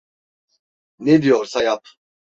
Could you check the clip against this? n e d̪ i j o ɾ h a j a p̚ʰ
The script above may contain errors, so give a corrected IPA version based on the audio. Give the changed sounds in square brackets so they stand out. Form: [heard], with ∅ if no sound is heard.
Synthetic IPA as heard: n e d̪ i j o ɾ [s] a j a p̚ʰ